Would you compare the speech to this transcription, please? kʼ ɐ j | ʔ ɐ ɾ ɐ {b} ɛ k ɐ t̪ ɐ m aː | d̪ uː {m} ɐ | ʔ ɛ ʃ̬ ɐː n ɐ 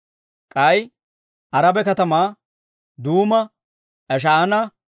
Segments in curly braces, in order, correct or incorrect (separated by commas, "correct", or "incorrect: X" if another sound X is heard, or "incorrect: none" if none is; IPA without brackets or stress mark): correct, correct